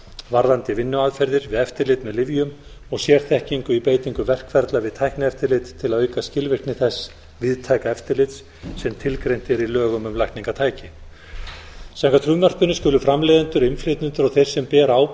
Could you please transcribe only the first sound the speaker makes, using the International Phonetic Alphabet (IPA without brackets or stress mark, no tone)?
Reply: v